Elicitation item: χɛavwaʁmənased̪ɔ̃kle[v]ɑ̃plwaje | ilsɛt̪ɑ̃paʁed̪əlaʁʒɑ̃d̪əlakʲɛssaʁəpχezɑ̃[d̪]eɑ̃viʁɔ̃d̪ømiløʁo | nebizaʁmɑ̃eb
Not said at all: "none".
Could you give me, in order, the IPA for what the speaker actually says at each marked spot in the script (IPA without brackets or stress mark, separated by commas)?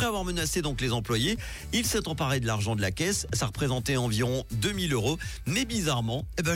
z, t̪